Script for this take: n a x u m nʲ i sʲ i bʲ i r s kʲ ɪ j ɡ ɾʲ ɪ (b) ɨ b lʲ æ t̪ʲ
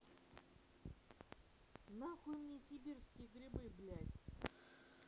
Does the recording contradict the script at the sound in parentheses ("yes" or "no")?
no